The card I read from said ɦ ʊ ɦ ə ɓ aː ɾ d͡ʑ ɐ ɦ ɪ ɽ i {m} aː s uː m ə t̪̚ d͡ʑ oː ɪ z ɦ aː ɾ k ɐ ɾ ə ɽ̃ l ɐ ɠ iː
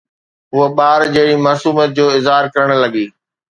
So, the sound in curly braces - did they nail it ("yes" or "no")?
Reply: yes